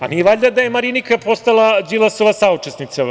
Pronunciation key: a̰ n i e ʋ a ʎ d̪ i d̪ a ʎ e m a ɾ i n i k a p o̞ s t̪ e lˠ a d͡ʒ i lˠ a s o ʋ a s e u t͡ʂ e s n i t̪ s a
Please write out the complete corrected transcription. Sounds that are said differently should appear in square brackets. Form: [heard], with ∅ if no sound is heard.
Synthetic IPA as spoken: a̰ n i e ʋ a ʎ d̪ [a] d̪ a [j] e m a ɾ i n i k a p o̞ s t̪ [a] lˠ a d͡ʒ i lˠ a s o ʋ a s [a] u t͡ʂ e s n i t̪ s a

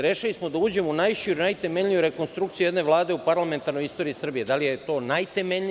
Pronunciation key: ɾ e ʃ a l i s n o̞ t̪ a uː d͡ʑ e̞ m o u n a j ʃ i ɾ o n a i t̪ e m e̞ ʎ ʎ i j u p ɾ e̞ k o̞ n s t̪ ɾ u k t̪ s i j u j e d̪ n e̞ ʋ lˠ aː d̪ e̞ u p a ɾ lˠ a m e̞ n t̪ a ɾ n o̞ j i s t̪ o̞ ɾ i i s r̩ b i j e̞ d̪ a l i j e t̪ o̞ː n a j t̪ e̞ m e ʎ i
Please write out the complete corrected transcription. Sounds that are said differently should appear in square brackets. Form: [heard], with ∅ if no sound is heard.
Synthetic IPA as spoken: ɾ e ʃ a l i s [m] o̞ [d̪] a uː d͡ʑ e̞ m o u n a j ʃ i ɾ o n a [j] t̪ e m e̞ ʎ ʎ i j u [∅] ɾ e̞ k o̞ n s t̪ ɾ u k t̪ s i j u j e d̪ n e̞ ʋ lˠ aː d̪ e̞ u p a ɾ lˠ a m e̞ n t̪ a ɾ n o̞ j i s t̪ o̞ ɾ i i s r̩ b i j e̞ d̪ a l i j e t̪ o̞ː n a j t̪ e̞ m e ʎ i

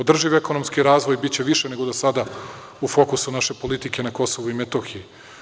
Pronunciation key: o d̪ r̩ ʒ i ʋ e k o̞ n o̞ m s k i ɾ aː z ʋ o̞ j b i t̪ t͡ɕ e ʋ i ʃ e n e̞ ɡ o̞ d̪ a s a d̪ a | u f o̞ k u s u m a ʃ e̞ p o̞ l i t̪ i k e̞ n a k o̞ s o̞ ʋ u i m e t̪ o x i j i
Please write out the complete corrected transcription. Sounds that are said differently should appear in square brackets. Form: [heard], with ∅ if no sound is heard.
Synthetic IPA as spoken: o d̪ r̩ ʒ i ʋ e k o̞ n o̞ m s k i ɾ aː z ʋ o̞ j b i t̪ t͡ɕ e ʋ i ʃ e n e̞ ɡ o̞ d̪ a s a d̪ a | u f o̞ k u s u [n] a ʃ e̞ p o̞ l i t̪ i k e̞ n a k o̞ s o̞ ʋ u i m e t̪ o x i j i

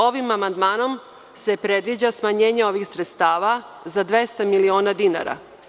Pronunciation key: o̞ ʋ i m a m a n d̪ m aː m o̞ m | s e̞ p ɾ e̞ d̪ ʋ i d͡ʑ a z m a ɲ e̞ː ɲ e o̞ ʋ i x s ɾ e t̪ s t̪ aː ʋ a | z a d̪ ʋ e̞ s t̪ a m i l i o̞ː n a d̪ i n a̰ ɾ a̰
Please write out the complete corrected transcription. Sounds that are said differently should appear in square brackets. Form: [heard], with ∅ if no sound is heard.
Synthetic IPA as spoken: o̞ ʋ i m a m a n d̪ m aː [n] o̞ m | s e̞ p ɾ e̞ d̪ ʋ i d͡ʑ a [s] m a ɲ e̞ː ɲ e o̞ ʋ i x s ɾ e t̪ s t̪ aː ʋ a | z a d̪ ʋ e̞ s t̪ a m i l i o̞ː n a d̪ i n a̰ ɾ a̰

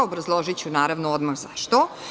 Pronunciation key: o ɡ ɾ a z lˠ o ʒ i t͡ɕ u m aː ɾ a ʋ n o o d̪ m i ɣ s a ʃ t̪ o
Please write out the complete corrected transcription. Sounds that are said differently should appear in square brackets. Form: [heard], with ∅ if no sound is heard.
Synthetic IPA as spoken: o [b] ɾ a z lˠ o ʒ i t͡ɕ u [n] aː ɾ a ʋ n o o d̪ m [a] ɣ [z] a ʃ t̪ o

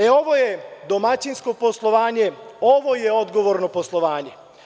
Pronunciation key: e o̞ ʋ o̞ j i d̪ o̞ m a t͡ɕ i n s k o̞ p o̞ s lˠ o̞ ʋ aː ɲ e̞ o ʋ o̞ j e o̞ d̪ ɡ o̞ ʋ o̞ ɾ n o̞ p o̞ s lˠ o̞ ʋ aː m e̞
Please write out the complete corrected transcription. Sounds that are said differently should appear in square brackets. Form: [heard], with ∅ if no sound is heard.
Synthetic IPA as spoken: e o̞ ʋ o̞ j [e] d̪ o̞ m a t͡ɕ i n s k o̞ p o̞ s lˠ o̞ ʋ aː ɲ e̞ o ʋ o̞ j e o̞ d̪ ɡ o̞ ʋ o̞ ɾ n o̞ p o̞ s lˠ o̞ ʋ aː [ɲ] e̞

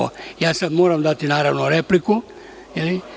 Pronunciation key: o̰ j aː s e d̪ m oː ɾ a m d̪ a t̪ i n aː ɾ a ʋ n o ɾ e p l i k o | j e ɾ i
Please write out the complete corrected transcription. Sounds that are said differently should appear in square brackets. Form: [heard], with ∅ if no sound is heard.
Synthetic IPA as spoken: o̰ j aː s [a] d̪ m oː ɾ a m d̪ a t̪ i n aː ɾ a ʋ n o ɾ e p l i k [u] | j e [l] i

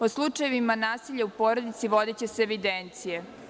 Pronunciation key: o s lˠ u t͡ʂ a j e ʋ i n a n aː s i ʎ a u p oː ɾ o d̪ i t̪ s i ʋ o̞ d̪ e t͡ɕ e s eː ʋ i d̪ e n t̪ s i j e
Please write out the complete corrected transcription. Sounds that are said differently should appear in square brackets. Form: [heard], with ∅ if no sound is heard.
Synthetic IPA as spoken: o s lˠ u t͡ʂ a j e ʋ i [m] a n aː s i ʎ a u p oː ɾ o d̪ i t̪ s i ʋ o̞ d̪ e t͡ɕ e s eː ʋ i d̪ e n t̪ s i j e

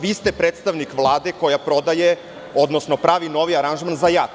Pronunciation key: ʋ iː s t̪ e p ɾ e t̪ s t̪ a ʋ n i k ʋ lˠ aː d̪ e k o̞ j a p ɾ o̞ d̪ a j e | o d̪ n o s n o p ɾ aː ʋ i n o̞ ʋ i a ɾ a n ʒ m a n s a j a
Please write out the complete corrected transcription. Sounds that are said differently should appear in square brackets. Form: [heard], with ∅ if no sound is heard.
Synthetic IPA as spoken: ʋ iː s t̪ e p ɾ e t̪ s t̪ a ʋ n i k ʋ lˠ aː d̪ e k o̞ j a p ɾ o̞ d̪ a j e | o d̪ n o s n o p ɾ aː ʋ i n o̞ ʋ i a ɾ a n ʒ m a n [z] a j a

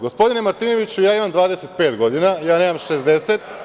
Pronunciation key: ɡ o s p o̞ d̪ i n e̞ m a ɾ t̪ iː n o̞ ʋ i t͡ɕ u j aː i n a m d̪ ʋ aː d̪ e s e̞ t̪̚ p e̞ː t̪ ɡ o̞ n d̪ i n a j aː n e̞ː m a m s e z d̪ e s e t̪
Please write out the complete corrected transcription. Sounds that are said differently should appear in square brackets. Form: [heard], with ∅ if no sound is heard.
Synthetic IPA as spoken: ɡ o s p o̞ d̪ i n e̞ m a ɾ t̪ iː n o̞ ʋ i t͡ɕ u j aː i [m] a m d̪ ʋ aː d̪ e s e̞ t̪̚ p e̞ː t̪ ɡ o̞ [∅] d̪ i n a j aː n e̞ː m a m [ʃ] e z d̪ e s e t̪

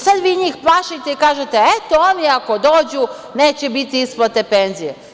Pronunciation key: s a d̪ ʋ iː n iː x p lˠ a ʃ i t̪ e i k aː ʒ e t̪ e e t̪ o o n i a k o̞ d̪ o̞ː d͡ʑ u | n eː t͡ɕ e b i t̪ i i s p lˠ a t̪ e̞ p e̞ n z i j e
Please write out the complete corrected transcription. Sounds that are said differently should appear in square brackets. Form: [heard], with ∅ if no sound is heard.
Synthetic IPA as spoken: s a d̪ ʋ iː [ɲ] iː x p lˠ a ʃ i t̪ e i k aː ʒ e t̪ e e t̪ o o n i a k o̞ d̪ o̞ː d͡ʑ u | n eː t͡ɕ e b i t̪ i i s p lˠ a t̪ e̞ p e̞ n z i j e

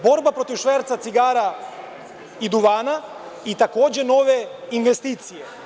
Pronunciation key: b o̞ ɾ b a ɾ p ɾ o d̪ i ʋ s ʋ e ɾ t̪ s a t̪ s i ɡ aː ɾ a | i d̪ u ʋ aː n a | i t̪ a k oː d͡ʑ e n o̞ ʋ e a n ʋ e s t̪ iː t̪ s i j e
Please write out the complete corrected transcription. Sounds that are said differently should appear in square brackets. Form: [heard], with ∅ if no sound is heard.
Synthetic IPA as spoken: b o̞ ɾ b a [∅] p ɾ o [t̪] i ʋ [ʃ] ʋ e ɾ t̪ s a t̪ s i ɡ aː ɾ a | i d̪ u ʋ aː n a | i t̪ a k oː d͡ʑ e n o̞ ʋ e [i] n ʋ e s t̪ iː t̪ s i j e

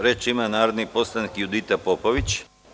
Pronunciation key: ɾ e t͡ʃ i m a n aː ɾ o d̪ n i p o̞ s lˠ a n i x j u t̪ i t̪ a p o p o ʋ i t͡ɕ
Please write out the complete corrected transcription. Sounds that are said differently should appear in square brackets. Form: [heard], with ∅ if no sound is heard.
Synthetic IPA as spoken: ɾ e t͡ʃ i m a n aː ɾ o d̪ n i p o̞ s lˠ a n i [k] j u [d̪] i t̪ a p o p o ʋ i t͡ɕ

